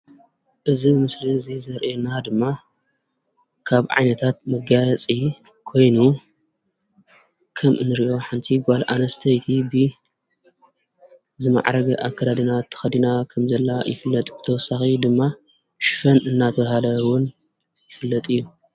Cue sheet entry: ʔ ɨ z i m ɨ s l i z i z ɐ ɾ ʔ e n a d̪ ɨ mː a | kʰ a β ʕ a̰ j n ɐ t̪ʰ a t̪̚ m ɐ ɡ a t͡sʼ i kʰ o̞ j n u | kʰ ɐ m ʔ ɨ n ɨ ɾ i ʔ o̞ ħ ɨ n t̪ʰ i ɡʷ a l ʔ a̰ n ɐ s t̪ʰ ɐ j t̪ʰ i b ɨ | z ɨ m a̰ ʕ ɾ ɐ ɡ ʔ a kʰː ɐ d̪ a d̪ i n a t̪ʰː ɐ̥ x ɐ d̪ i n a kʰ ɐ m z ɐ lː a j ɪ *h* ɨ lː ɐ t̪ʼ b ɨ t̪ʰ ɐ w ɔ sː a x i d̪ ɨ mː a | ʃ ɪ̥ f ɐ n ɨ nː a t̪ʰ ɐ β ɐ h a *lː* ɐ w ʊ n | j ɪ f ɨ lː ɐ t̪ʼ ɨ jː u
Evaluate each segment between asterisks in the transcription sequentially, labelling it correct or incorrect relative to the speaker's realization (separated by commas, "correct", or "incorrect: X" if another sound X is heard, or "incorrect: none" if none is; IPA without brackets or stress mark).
incorrect: f, incorrect: l